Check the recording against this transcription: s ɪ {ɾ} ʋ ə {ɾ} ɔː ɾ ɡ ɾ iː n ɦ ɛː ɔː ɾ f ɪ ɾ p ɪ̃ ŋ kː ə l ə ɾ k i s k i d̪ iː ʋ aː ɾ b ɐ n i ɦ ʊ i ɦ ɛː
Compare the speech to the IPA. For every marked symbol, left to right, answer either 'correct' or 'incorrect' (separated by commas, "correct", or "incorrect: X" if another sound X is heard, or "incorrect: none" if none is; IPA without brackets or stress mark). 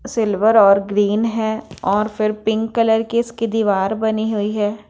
incorrect: l, correct